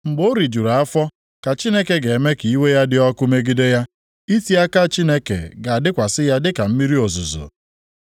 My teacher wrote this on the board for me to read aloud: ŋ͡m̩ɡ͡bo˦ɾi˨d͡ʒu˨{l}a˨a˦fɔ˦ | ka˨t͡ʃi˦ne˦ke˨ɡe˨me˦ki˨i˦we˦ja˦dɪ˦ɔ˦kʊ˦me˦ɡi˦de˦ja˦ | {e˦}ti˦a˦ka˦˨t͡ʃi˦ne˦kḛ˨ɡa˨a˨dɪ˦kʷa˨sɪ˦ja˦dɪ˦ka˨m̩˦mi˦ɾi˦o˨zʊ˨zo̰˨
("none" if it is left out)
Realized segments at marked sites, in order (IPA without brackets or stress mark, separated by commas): ɾ, i˦